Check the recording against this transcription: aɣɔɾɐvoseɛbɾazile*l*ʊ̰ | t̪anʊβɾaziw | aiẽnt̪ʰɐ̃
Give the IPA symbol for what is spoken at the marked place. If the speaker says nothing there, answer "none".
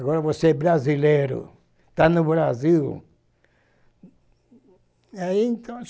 ɾ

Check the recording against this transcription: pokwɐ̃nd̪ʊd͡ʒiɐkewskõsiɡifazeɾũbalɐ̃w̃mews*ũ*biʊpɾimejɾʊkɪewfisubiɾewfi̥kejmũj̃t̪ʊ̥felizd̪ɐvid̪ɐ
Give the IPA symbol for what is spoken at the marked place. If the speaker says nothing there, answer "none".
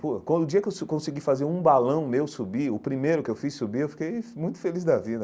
u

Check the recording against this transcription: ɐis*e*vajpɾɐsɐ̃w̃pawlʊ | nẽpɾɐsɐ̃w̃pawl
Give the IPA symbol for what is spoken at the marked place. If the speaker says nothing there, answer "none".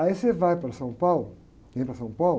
e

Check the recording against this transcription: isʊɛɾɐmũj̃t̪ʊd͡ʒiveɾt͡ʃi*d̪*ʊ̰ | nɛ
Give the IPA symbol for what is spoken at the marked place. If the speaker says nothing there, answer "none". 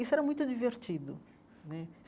d̪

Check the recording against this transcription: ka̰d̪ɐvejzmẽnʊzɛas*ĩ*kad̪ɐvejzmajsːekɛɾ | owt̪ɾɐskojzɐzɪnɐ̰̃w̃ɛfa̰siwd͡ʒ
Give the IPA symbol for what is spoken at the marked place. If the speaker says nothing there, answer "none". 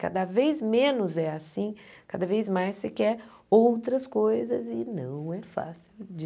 ĩ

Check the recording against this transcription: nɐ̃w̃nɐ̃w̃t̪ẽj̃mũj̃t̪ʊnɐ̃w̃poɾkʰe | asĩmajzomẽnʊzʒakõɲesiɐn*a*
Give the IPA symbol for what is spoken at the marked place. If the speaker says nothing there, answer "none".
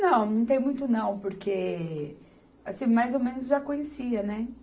ɛ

